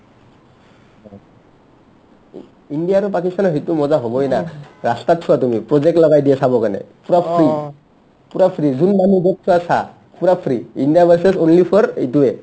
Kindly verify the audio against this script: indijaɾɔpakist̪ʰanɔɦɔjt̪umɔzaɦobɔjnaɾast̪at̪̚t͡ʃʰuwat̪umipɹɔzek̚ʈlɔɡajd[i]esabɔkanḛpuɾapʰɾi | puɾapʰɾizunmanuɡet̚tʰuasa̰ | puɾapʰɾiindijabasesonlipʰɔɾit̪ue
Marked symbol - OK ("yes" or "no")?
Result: yes